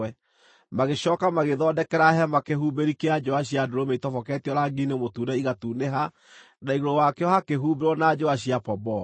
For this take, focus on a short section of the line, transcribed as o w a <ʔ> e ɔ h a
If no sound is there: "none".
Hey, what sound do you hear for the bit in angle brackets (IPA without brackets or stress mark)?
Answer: k